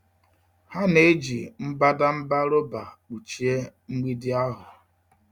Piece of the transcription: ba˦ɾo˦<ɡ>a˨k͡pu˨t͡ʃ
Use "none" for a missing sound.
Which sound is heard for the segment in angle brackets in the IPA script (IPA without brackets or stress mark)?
b